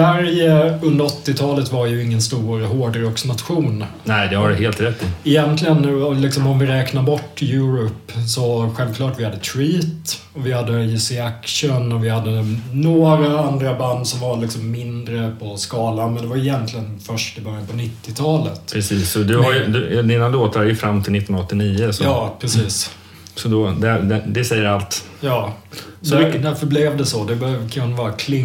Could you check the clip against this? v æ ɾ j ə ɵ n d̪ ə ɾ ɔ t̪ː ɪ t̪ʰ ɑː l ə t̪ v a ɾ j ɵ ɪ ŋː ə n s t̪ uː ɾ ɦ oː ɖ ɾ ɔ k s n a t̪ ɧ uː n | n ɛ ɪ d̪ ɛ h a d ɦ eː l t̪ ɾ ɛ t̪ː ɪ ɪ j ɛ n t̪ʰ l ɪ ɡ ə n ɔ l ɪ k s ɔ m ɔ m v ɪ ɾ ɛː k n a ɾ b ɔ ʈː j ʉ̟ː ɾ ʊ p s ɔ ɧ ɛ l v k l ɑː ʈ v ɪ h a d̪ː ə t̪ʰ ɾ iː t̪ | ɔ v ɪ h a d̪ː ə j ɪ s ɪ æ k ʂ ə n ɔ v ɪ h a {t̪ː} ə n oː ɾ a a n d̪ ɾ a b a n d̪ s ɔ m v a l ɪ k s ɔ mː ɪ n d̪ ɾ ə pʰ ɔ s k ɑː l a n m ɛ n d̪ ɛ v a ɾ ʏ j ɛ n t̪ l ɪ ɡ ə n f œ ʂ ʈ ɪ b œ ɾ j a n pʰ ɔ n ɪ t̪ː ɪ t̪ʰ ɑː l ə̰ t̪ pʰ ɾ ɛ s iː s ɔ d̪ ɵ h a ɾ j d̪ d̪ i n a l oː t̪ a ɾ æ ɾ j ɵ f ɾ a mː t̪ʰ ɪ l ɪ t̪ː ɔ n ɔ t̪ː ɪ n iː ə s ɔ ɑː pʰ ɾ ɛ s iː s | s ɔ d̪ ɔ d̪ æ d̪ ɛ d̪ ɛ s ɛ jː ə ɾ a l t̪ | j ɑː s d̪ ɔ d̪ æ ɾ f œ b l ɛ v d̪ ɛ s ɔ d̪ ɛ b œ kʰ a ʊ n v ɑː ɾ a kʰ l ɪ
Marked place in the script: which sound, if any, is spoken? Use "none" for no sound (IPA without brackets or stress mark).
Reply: d̪ː